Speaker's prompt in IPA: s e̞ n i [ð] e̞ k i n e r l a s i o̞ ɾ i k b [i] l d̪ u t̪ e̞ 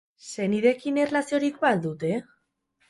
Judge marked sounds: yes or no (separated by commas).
yes, no